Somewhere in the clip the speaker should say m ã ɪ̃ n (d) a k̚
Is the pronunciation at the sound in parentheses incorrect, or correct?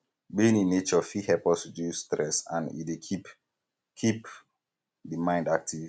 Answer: correct